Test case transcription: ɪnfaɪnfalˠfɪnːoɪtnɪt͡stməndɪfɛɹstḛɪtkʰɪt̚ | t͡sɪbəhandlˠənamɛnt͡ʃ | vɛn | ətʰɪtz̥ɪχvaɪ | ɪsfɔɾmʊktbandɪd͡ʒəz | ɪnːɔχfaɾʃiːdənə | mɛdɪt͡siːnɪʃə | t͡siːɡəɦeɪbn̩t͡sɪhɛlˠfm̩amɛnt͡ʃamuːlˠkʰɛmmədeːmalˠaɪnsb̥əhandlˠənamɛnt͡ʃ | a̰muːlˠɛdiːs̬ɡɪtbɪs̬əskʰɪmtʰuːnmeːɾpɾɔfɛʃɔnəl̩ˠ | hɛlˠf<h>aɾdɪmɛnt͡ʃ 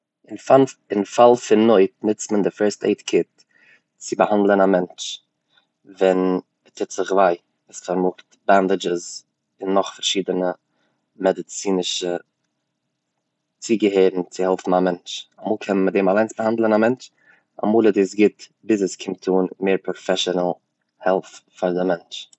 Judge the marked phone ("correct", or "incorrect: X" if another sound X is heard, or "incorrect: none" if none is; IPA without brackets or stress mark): incorrect: f